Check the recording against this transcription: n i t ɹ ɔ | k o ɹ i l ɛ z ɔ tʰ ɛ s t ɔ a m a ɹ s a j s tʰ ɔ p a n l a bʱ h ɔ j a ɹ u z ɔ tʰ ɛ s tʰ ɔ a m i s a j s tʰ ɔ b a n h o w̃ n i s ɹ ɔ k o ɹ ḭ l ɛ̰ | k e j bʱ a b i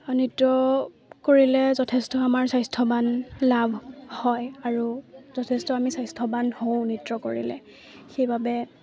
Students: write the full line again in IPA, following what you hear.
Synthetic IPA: n i t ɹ ɔ | k o ɹ i l ɛ z ɔ tʰ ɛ s t ɔ a m a ɹ s a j s tʰ ɔ b a n l a bʱ h ɔ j a ɹ u z ɔ tʰ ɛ s t ɔ a m i s a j s tʰ ɔ b a n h o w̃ n i t ɹ ɔ k o ɹ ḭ l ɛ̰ | x e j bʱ a b ɛ